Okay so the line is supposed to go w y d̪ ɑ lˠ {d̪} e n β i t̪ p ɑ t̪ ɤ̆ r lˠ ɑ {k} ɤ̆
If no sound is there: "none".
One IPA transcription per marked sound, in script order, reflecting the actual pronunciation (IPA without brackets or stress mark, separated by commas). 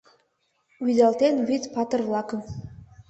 t̪, k